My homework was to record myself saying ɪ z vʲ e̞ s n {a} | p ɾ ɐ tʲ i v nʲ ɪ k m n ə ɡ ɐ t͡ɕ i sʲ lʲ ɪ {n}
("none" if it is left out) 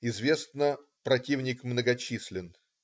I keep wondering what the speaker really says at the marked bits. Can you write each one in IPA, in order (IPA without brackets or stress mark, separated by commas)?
ə, n